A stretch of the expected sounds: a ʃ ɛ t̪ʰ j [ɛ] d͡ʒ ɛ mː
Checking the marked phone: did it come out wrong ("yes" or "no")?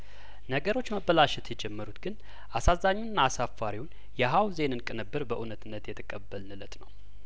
no